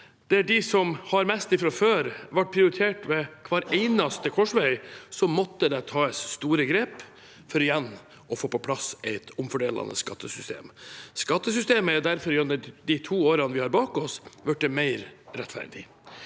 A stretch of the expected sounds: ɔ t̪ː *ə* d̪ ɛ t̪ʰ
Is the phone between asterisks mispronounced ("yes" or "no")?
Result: no